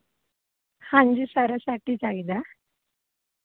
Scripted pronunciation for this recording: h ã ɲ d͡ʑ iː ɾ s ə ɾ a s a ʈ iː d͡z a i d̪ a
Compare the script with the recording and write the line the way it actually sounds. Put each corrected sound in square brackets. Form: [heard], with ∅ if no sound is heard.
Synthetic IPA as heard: h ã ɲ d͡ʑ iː [∅] s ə ɾ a s a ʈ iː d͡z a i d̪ a